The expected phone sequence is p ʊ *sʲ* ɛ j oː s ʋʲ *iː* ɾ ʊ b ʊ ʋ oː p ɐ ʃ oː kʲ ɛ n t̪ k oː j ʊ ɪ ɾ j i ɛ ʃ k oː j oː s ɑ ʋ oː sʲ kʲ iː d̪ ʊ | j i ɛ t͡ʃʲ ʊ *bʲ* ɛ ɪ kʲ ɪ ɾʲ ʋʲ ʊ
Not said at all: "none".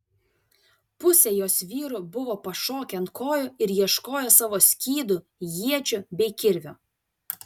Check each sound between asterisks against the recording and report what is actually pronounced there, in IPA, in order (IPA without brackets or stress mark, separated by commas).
sʲ, iː, bʲ